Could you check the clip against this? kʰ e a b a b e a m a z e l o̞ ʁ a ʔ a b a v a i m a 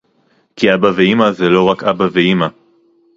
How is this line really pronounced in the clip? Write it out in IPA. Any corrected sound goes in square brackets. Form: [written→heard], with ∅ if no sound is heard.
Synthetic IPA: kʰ [e→i] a b a [b→v] e [a→i] m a z e l o̞ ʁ a [ʔ→k] a b a v [a→e] i m a